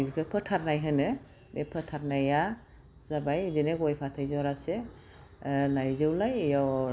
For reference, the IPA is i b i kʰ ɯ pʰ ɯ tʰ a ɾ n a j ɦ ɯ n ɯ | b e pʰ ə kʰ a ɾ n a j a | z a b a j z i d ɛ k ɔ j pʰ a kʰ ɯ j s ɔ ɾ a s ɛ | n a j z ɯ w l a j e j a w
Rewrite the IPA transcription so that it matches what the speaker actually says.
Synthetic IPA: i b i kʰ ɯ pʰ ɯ tʰ a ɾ n a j ɦ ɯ n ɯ | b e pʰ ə tʰ a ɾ n a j a | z a b a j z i n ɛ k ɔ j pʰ a tʰ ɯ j z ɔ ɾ a s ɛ | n a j z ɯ w l a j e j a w